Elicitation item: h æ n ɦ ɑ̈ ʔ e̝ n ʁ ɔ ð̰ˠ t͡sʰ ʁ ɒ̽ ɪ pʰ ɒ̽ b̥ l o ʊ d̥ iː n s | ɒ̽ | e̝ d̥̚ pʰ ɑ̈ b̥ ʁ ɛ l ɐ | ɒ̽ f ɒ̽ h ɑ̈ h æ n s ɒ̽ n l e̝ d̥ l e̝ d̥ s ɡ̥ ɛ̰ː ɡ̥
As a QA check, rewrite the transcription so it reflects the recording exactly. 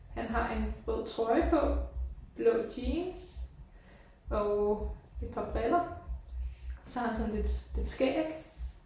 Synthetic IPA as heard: h æ n ɦ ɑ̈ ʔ e̝ n ʁ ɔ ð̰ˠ t͡sʰ ʁ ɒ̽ ɪ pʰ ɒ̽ b̥ l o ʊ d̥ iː n s | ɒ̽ | e̝ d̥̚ pʰ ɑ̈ b̥ ʁ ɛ l ɐ | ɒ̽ s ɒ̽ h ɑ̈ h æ n s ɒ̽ n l e̝ d̥ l e̝ d̥ s ɡ̥ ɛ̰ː ɡ̥

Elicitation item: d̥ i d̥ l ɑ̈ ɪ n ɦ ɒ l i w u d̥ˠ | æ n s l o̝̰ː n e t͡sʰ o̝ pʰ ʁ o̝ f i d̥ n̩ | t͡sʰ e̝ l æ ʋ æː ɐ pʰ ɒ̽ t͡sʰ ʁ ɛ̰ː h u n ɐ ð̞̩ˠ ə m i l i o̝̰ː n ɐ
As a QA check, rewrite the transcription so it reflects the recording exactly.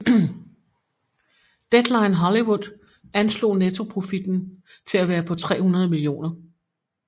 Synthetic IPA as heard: d̥ e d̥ l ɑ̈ ɪ n ɦ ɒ l i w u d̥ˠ | æ n s l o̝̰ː n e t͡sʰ o̝ pʰ ʁ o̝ f i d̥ n̩ | t͡sʰ e̝ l æ ʋ æː ɐ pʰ ɒ̽ t͡sʰ ʁ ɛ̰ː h u n ɐ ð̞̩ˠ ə m i l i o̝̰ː n ɐ

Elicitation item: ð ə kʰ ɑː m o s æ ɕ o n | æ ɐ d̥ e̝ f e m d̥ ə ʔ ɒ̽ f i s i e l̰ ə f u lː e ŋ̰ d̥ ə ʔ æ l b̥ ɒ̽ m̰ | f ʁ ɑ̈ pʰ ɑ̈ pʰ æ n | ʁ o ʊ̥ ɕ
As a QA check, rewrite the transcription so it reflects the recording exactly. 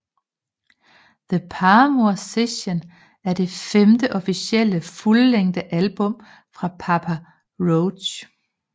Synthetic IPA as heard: ð ə pʰ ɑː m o s e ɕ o n | æ ɐ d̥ e̝ f e m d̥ ə ʔ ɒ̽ f i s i e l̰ ə f u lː e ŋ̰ d̥ ə ʔ æ l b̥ ɔ̽ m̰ | f ʁ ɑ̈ pʰ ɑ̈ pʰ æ | ʁ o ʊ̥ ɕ

